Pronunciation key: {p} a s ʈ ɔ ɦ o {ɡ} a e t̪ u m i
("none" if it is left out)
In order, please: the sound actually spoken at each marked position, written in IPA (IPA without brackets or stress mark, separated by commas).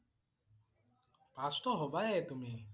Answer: p, b